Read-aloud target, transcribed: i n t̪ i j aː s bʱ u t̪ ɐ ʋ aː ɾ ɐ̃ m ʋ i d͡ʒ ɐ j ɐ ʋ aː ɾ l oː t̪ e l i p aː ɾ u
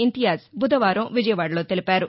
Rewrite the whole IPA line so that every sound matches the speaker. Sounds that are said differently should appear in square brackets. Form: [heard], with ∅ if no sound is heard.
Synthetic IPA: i n t̪ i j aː s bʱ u [d̪] ɐ ʋ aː ɾ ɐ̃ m ʋ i d͡ʒ ɐ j ɐ ʋ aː [ɽ] l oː t̪ e l i p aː ɾ u